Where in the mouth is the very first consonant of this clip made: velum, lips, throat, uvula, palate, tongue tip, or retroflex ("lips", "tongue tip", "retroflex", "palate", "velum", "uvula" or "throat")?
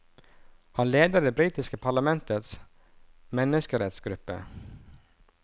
throat